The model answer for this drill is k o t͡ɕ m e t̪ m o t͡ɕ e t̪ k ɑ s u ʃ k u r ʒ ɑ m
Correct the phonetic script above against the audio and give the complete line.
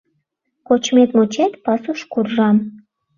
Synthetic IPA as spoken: k o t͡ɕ m e t̪ m o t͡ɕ e t̪ p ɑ s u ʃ k u r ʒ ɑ m